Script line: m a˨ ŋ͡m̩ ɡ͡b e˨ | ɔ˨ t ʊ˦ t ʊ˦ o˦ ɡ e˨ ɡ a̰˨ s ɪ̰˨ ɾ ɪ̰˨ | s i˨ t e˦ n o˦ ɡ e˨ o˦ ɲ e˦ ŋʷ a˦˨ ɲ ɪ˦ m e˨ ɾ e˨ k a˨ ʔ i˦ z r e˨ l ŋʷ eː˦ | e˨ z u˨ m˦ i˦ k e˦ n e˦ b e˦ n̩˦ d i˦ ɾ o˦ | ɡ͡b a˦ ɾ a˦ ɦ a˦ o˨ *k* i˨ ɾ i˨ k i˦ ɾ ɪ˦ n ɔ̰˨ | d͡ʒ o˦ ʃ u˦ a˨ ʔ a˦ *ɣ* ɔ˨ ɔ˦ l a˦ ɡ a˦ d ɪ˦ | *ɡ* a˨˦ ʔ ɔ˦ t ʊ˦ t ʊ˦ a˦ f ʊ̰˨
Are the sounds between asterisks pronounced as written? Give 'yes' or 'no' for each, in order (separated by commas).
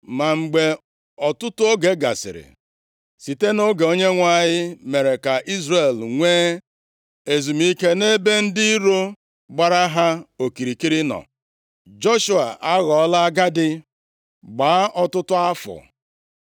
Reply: yes, yes, no